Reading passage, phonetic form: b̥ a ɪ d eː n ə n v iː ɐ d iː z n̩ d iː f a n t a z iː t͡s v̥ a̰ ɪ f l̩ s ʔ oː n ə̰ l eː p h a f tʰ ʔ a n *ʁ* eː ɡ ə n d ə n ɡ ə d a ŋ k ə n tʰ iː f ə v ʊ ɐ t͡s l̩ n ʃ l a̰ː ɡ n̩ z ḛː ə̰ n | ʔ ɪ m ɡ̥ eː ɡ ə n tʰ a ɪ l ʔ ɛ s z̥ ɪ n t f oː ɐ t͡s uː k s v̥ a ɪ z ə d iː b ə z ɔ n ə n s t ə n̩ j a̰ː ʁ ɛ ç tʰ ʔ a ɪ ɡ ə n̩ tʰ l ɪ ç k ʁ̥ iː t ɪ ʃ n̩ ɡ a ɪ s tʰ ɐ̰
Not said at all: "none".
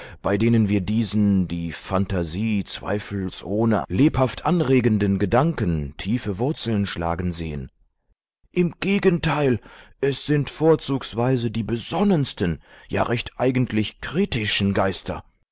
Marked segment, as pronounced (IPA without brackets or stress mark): ʁ